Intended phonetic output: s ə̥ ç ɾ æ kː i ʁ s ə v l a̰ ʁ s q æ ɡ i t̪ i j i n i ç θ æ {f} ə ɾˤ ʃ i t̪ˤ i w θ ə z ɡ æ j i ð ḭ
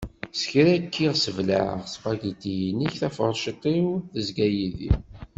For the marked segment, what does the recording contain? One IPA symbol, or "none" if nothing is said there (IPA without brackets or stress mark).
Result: f